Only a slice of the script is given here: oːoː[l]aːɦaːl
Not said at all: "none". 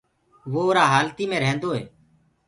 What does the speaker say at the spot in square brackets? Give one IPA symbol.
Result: ɾ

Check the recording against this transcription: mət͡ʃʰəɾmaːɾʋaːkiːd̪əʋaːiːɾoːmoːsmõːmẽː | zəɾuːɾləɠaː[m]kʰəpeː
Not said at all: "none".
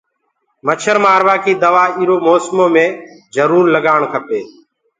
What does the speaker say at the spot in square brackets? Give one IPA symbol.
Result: ɳ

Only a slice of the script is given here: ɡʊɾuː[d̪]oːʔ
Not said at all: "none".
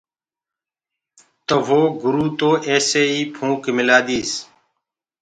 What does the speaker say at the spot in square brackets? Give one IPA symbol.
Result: t̪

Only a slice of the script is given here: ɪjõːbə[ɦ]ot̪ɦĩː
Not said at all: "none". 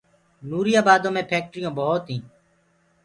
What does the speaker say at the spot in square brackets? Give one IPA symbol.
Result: ɦ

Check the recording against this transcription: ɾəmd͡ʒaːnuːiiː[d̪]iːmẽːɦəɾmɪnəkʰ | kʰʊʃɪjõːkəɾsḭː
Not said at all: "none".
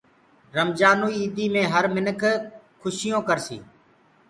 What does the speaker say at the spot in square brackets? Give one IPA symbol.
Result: d̪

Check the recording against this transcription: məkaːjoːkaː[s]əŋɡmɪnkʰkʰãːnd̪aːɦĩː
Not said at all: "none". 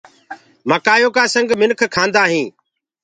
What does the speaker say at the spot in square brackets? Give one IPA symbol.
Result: s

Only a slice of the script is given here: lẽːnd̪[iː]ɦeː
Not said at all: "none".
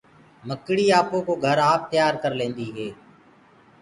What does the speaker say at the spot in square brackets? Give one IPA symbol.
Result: iː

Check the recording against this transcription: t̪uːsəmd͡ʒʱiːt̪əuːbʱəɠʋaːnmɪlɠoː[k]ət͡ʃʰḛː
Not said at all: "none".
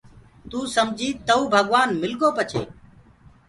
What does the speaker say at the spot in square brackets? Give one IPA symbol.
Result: p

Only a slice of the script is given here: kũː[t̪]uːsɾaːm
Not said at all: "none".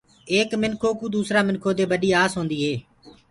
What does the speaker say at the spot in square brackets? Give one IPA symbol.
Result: d̪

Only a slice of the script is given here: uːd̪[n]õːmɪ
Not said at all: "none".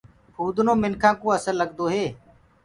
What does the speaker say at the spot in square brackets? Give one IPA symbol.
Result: n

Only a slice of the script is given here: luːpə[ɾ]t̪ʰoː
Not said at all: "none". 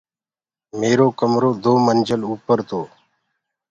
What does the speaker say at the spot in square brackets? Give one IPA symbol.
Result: ɾ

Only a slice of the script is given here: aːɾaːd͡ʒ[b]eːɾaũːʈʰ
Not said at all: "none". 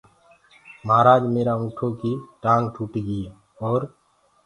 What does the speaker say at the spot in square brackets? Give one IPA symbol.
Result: m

